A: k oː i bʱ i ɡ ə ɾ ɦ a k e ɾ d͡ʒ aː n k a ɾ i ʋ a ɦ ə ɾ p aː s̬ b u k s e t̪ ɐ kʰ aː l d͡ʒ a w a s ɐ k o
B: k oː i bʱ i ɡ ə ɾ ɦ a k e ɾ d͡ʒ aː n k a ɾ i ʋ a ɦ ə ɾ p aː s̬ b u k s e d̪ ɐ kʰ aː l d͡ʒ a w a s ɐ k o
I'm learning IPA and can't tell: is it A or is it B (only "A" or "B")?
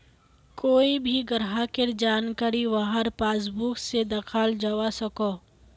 B